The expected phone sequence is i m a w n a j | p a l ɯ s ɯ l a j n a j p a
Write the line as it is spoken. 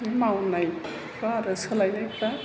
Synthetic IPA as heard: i m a w n a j | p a ɾ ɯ s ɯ l a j n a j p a